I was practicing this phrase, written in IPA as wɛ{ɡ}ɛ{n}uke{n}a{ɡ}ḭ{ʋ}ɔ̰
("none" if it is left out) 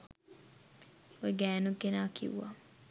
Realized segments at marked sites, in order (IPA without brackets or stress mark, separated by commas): ɡ, n, n, k, w